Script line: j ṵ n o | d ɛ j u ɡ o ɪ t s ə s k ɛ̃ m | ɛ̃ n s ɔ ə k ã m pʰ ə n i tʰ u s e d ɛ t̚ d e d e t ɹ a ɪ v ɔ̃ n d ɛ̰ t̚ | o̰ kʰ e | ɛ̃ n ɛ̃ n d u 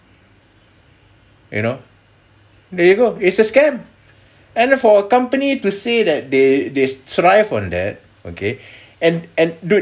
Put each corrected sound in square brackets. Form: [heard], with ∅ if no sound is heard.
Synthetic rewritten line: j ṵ n o | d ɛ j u ɡ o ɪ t s ə s k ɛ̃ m | ɛ̃ n [f] ɔ ə k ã m [p] ə n i [t] u s e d ɛ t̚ d e d e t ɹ a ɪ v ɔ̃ n d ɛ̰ t̚ | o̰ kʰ e | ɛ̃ n ɛ̃ n d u